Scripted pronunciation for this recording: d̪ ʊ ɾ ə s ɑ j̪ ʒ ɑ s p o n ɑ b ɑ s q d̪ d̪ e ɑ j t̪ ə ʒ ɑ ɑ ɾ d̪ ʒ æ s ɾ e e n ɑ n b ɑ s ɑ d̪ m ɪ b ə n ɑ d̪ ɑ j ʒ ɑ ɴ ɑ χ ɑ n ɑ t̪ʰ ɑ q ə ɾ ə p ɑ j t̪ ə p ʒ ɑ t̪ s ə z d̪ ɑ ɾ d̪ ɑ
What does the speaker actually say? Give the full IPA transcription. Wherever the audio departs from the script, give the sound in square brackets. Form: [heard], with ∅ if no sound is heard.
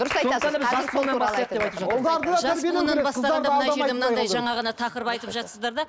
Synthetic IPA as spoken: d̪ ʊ ɾ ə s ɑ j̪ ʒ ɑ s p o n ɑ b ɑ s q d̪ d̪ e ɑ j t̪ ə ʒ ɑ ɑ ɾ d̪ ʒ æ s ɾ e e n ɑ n b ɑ s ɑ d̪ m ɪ [m] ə n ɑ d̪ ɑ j ʒ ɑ ɴ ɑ [ʁ] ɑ n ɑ t̪ʰ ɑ q ə ɾ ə p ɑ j t̪ ə p ʒ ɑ t̪ s ə z d̪ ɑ ɾ d̪ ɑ

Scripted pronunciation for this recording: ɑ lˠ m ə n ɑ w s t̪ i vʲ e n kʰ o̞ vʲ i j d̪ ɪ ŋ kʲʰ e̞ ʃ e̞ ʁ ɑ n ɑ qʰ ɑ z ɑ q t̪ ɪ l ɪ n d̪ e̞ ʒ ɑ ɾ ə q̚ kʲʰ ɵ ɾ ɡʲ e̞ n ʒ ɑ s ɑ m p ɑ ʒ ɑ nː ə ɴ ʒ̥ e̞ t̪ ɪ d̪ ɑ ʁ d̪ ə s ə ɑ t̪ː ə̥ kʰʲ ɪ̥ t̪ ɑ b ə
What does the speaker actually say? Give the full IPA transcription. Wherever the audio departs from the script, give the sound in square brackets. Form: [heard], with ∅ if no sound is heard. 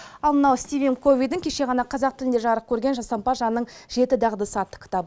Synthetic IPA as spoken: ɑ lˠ m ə n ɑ w s t̪ i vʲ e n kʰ o̞ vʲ i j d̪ ɪ ŋ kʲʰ e̞ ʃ e̞ ʁ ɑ n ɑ qʰ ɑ z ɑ q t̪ ɪ l ɪ n d̪ e̞ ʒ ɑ ɾ ə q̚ kʲʰ ɵ ɾ ɡʲ e̞ n ʒ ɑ s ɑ m p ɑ ʒ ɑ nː ə ɴ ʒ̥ e̞ t̪ ɪ d̪ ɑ ʁ d̪ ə s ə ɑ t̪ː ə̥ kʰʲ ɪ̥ t̪ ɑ b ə

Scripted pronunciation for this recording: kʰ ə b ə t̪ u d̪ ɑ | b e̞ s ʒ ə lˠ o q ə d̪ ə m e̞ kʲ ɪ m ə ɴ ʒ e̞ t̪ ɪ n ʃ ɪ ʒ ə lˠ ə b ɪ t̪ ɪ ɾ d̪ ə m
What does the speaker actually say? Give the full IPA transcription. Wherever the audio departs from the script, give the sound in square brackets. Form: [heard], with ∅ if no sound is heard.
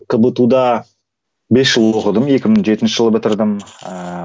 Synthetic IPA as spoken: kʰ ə b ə t̪ u d̪ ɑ | b e̞ s ʒ ə lˠ o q ə d̪ ə m e̞ kʲ ɪ m ə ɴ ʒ e̞ t̪ ɪ n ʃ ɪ ʒ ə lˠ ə b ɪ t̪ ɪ ɾ d̪ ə m

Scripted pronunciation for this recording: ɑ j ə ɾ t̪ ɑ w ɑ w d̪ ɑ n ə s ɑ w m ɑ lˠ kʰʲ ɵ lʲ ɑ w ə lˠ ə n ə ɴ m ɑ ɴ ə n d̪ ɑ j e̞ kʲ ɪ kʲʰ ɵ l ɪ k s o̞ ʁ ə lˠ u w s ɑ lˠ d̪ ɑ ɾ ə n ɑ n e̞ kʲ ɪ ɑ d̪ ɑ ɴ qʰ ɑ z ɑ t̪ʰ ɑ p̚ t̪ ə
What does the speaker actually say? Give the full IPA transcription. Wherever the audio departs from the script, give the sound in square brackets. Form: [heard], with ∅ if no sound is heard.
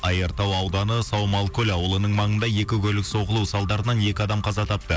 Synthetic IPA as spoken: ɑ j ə ɾ t̪ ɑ w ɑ w d̪ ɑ n ə s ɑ w m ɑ lˠ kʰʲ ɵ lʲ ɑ w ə lˠ ə n ə ɴ m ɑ ɴ ə n d̪ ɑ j e̞ kʲ ɪ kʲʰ ɵ l ɪ k s o̞ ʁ ə lˠ u w s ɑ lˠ d̪ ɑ ɾ ə n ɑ n e̞ kʲ ɪ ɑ d̪ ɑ [m] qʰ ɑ z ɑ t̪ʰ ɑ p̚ t̪ ə

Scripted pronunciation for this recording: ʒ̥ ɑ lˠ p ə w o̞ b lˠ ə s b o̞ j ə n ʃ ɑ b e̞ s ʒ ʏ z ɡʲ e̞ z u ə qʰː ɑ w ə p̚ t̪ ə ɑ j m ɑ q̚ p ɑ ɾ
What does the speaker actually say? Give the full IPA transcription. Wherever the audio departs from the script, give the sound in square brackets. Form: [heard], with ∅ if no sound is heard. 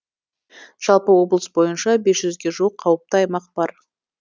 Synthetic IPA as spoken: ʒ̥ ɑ lˠ p ə w o̞ b lˠ ə s b o̞ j ə n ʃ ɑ b e̞ s ʒ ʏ z ɡʲ e̞ [ʒ] u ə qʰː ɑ w ə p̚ t̪ ə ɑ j m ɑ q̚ [b] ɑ ɾ

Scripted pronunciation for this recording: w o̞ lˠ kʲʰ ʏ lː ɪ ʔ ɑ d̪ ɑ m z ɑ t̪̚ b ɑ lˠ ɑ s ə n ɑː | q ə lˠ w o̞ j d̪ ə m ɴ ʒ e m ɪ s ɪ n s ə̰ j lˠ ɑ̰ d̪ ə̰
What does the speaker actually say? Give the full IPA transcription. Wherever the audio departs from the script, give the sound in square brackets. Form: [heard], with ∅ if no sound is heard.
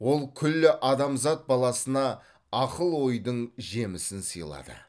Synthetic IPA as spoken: w o̞ lˠ kʲʰ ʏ lː ɪ ʔ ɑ d̪ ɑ m z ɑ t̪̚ b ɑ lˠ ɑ s ə n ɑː | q ə lˠ w o̞ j d̪ ə [∅] ɴ ʒ e m ɪ s ɪ n s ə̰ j lˠ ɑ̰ d̪ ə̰

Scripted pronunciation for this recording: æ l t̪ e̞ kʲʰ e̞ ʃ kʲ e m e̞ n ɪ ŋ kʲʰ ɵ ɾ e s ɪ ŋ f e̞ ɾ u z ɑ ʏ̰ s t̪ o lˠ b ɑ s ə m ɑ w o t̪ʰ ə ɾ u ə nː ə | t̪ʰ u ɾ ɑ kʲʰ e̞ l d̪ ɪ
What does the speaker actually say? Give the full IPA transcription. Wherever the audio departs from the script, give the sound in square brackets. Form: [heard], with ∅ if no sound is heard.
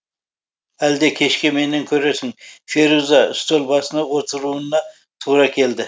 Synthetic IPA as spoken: æ l [d̪] e̞ kʲʰ e̞ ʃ kʲ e m e̞ n ɪ ŋ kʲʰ ɵ ɾ e s ɪ ŋ f e̞ ɾ u z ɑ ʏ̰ s t̪ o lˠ b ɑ s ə [n] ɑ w o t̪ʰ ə ɾ u ə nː [ɑ] | t̪ʰ u ɾ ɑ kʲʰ e̞ l d̪ ɪ

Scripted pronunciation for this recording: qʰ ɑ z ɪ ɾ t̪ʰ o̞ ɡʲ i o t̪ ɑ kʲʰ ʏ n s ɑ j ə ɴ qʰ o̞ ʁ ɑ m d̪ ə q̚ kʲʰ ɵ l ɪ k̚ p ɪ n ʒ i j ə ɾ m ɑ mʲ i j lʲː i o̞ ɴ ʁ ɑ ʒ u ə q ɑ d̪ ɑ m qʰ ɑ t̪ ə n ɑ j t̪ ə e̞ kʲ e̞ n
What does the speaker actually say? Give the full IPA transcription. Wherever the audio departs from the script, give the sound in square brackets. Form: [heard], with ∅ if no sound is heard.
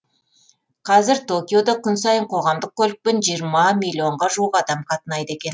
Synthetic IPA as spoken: qʰ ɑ z ɪ ɾ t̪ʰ o̞ [kʲ] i o [d̪] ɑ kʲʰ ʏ n s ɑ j ə ɴ qʰ o̞ ʁ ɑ m d̪ ə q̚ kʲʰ ɵ l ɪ k̚ p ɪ n ʒ i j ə ɾ m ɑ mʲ i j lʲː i o̞ ɴ ʁ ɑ ʒ u ə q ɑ d̪ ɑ m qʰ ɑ t̪ ə n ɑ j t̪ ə e̞ kʲ e̞ n

